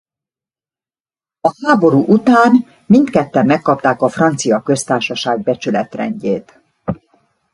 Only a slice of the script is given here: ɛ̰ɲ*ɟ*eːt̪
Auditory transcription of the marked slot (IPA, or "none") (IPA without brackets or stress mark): ɟ